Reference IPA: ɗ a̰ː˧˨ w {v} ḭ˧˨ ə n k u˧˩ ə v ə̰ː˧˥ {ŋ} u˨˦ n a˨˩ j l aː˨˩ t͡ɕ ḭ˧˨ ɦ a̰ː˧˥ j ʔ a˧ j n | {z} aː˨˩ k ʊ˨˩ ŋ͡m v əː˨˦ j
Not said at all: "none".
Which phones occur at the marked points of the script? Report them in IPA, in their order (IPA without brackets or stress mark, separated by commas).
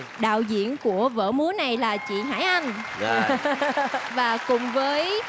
z, m, v